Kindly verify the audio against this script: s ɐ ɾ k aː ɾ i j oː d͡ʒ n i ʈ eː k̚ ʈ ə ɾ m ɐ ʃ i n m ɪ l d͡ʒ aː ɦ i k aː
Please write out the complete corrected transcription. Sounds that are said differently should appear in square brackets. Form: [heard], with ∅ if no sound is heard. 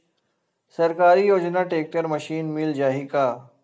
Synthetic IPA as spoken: s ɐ ɾ k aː ɾ i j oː d͡ʒ n [a] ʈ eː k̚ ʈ ə ɾ m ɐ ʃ [iː] n m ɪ l d͡ʒ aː ɦ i k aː